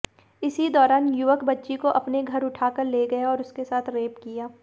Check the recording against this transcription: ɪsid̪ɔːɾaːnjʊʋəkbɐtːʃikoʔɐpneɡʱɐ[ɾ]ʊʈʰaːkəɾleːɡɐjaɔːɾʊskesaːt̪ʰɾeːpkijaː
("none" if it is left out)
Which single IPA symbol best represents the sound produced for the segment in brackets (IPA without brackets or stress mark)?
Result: ɾ